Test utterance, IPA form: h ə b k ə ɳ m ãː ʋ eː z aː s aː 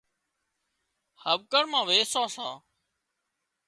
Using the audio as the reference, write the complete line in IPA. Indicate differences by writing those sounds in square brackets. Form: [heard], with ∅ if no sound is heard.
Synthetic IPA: h ə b k ə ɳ m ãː ʋ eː [s] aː s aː